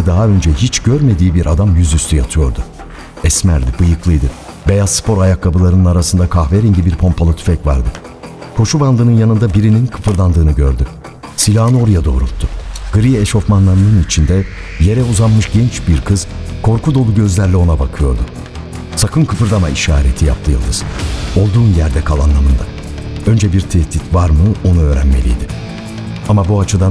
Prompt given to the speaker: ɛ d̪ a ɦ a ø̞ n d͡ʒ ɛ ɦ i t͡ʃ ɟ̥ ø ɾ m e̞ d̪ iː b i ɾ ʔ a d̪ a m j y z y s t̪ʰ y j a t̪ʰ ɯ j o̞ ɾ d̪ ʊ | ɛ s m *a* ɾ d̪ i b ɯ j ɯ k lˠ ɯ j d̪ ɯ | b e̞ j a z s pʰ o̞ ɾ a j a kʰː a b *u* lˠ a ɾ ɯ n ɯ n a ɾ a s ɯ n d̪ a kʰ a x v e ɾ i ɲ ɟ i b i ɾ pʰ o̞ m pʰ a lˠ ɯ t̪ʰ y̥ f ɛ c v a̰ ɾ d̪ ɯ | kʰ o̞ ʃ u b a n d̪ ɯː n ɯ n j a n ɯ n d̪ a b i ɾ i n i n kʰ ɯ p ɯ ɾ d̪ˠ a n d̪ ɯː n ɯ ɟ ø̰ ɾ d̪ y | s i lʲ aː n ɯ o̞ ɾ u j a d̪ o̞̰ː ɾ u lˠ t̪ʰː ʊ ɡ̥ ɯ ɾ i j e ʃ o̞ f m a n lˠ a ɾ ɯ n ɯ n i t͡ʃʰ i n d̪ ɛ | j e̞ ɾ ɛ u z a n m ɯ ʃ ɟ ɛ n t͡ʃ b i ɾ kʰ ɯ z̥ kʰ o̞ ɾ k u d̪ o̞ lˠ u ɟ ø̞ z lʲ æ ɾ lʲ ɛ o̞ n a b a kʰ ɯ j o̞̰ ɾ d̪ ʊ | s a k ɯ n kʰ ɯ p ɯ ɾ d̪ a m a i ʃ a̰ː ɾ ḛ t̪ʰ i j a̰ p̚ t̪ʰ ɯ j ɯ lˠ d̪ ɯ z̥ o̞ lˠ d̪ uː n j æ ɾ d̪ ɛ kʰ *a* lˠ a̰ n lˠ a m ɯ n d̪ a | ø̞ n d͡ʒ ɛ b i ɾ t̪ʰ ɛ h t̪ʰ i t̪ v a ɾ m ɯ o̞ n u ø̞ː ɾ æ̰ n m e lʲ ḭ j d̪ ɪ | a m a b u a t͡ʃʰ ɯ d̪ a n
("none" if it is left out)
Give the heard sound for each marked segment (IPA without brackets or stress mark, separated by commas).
æ, ɯ, a